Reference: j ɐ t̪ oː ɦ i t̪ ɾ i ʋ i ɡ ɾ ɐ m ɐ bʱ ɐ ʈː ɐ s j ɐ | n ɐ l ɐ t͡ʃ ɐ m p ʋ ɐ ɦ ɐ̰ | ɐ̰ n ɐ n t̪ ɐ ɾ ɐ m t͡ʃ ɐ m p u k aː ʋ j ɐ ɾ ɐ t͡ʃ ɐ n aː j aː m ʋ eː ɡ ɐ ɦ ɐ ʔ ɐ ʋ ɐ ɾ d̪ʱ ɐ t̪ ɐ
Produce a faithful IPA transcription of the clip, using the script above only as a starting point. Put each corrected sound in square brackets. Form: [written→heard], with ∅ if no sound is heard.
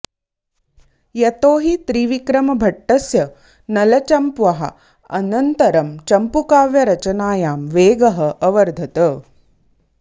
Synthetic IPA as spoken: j ɐ t̪ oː ɦ i t̪ ɾ i ʋ i [ɡ→k] ɾ ɐ m ɐ bʱ ɐ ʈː ɐ s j ɐ | n ɐ l ɐ t͡ʃ ɐ m p ʋ ɐ ɦ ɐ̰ | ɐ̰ n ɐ n t̪ ɐ ɾ ɐ m t͡ʃ ɐ m p u k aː ʋ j ɐ ɾ ɐ t͡ʃ ɐ n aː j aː m ʋ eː ɡ ɐ ɦ ɐ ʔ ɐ ʋ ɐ ɾ d̪ʱ ɐ t̪ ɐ